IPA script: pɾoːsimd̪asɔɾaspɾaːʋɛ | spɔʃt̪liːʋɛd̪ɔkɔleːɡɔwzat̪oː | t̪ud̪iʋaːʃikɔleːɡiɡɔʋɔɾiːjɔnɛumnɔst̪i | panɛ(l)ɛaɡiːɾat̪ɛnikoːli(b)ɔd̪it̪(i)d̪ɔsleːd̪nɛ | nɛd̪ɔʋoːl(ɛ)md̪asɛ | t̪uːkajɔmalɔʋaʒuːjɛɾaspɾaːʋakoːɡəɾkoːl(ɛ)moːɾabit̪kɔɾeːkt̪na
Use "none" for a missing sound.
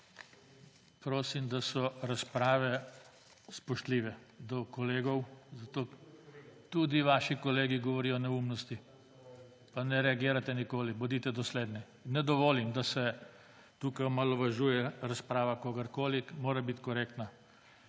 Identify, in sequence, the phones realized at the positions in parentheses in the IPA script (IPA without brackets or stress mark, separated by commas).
ɾ, b, ɛ, i, i